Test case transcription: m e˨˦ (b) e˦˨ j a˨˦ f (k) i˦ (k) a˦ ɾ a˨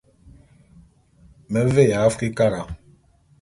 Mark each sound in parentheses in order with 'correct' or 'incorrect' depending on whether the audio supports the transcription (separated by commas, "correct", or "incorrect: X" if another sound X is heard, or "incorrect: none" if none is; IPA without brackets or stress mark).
incorrect: v, correct, correct